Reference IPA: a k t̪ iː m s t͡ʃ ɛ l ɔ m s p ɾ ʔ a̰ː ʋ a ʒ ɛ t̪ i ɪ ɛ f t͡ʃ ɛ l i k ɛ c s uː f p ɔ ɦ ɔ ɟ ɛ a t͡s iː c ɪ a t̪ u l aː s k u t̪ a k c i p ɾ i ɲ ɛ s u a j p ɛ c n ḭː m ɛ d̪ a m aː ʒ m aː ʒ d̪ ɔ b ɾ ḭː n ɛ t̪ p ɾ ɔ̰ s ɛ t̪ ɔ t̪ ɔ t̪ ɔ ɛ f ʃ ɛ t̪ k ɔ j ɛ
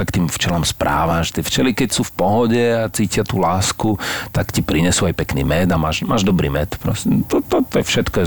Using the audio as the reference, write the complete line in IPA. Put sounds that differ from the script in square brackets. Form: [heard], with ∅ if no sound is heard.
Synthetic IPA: a k t̪ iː m [f] t͡ʃ ɛ l ɔ m s p ɾ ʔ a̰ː ʋ a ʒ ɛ t̪ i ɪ ɛ f t͡ʃ ɛ l i k ɛ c s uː f p ɔ ɦ ɔ ɟ ɛ a t͡s iː c ɪ a t̪ u l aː s k u t̪ a k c i p ɾ i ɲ ɛ s u a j p ɛ [k] n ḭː m ɛ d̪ a m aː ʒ m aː ʒ d̪ ɔ b ɾ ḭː [m] ɛ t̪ p ɾ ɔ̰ s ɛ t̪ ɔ t̪ ɔ t̪ ɔ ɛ f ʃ ɛ t̪ k ɔ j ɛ